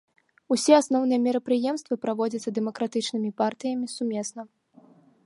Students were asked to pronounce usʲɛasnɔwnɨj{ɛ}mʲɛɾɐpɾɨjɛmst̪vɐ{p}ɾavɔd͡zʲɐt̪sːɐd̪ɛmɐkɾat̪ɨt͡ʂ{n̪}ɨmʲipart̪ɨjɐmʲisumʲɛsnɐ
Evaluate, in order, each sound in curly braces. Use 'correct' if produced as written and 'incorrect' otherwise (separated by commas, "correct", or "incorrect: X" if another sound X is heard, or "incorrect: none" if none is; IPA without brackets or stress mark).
correct, correct, correct